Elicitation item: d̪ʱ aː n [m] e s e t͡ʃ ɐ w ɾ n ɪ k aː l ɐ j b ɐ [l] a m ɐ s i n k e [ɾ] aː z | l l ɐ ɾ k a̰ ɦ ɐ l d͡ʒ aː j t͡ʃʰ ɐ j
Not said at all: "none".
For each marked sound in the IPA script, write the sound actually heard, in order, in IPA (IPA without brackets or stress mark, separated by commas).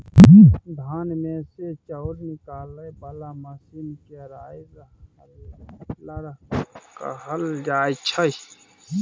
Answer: m, l, ɾ